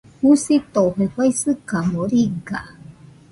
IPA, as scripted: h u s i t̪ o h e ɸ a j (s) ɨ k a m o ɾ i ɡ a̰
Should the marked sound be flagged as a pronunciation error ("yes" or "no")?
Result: no